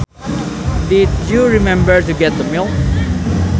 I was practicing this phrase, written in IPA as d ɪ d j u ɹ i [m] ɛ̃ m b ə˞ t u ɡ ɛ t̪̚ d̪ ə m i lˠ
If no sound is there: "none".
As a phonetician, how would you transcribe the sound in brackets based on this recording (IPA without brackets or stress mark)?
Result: m